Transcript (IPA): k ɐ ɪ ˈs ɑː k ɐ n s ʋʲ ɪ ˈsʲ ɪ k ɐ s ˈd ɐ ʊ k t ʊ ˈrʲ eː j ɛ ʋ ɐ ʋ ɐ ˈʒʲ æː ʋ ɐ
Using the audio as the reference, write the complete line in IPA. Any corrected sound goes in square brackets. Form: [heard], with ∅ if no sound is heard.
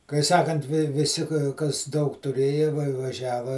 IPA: k ɐ ɪ ˈs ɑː k ɐ n [t] ʋʲ ɪ ˈsʲ ɪ k ɐ s ˈd ɐ ʊ k t ʊ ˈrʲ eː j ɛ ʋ ɐ ʋ ɐ ˈʒʲ æː ʋ ɐ